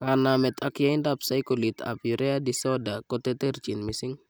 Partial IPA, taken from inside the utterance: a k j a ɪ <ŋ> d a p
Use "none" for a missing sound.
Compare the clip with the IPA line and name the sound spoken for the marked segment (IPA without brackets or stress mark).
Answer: n